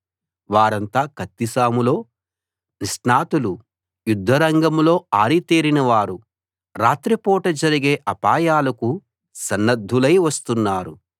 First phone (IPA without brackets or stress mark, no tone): ʋ